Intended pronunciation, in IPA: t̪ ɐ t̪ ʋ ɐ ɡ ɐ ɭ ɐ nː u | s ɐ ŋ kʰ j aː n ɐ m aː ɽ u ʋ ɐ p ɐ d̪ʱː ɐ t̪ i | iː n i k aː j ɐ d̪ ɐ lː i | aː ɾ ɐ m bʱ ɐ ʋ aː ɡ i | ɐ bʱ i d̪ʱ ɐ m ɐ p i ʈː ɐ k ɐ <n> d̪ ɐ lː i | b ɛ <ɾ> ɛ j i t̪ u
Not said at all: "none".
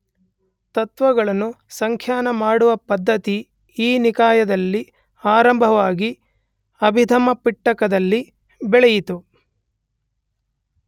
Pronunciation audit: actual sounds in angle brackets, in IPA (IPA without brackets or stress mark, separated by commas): none, ɭ